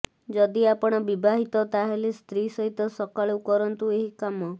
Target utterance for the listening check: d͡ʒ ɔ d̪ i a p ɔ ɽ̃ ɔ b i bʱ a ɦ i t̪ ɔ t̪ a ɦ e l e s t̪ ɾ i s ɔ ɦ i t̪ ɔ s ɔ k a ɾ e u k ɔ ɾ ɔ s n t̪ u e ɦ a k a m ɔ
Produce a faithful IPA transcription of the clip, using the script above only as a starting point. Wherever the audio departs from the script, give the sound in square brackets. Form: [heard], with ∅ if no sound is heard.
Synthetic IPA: d͡ʒ ɔ d̪ i a p ɔ ɽ̃ ɔ b i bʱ a ɦ i t̪ ɔ t̪ a ɦ e l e s t̪ ɾ i s ɔ ɦ i t̪ ɔ s ɔ k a [ɭ] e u k ɔ ɾ ɔ [∅] n t̪ u e ɦ [i] k a m ɔ